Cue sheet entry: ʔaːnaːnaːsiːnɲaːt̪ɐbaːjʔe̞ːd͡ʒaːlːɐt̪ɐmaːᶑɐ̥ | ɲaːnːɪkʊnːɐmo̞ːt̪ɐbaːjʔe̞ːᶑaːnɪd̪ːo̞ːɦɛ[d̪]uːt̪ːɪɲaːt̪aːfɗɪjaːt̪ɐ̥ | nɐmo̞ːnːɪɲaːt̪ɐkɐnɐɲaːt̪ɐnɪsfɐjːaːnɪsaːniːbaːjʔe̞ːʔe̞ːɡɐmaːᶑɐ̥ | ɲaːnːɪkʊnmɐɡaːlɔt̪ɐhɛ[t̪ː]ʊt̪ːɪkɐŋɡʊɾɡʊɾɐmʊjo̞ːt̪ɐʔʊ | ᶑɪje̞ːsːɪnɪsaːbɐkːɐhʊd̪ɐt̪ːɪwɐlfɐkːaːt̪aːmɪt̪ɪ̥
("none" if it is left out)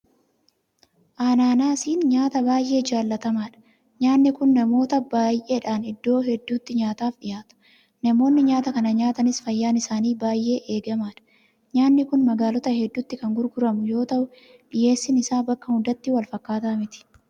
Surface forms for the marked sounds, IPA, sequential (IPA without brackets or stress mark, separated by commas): d̪ː, d̪ː